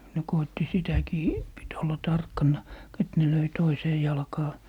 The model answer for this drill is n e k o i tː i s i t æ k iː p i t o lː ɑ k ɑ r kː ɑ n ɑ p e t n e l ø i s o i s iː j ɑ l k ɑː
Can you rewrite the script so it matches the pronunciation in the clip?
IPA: n e k o i tː i s i t æ k iː p i t o lː ɑ t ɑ r kː ɑ nː ɑ k e t n e l ø i t o i s eː j ɑ l k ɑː